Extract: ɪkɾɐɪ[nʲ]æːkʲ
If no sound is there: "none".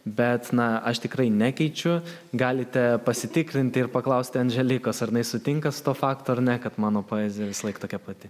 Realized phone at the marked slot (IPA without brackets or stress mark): nʲ